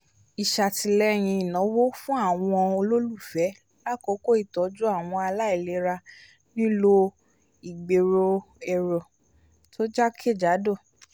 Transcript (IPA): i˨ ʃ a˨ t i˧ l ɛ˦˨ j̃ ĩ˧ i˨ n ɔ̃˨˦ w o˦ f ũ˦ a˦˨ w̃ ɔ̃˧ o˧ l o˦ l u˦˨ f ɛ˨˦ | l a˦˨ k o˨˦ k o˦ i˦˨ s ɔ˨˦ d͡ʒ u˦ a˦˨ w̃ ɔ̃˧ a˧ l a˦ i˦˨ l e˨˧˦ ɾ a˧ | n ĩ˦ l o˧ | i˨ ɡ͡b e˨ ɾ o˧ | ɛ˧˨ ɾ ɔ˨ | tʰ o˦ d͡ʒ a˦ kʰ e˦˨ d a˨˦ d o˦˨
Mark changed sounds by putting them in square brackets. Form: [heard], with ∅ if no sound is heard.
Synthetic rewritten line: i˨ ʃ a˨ t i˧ l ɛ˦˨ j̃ ĩ˧ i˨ n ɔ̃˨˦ w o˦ f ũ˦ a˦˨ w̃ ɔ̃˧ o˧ l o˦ l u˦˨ f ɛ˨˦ | l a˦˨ k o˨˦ k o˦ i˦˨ [t] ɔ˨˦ d͡ʒ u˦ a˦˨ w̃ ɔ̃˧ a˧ l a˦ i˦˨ l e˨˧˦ ɾ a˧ | n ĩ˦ l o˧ | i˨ ɡ͡b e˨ ɾ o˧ | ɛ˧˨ ɾ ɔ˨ | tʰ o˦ d͡ʒ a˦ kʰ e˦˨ [d͡ʒ] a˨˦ d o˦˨